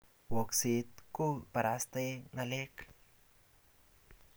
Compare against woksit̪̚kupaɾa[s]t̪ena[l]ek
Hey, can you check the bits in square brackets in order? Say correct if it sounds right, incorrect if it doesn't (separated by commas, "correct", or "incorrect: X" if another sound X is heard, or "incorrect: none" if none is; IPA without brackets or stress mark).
correct, correct